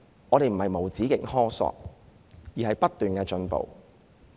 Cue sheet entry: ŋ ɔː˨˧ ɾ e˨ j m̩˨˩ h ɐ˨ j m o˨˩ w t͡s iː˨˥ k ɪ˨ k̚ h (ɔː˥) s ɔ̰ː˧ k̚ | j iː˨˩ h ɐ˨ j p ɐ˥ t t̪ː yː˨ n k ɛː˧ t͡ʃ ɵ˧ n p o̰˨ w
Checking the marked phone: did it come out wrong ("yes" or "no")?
no